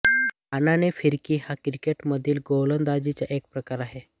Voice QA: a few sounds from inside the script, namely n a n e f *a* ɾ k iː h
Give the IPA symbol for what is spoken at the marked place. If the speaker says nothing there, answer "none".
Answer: i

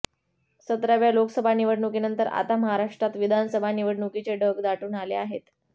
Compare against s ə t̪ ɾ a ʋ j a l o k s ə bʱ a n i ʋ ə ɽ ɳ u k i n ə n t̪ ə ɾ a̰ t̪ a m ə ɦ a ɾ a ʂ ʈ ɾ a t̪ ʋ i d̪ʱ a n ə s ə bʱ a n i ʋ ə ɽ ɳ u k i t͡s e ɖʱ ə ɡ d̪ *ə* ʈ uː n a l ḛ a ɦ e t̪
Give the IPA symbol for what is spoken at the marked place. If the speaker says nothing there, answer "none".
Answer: a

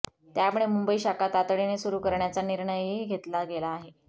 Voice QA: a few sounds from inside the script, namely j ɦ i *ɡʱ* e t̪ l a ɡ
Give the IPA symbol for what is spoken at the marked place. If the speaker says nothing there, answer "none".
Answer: ɡʱ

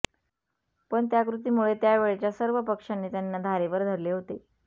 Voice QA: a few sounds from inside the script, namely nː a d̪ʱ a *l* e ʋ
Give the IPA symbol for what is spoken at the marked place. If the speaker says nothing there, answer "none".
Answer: ɾ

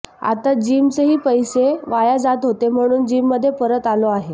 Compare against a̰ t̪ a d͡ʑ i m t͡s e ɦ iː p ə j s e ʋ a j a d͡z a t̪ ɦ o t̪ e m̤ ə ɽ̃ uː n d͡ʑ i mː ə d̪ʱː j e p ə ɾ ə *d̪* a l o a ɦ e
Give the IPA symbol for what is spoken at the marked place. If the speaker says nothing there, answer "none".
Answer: t̪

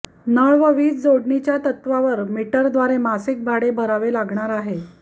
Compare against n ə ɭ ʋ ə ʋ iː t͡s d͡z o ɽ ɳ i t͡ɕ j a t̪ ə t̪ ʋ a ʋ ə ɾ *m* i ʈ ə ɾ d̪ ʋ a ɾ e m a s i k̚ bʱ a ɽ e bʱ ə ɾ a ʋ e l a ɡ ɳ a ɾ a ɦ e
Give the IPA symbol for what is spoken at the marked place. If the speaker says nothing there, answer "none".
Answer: m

